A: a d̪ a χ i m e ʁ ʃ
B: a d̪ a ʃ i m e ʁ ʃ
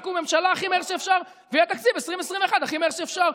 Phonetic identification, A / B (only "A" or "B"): A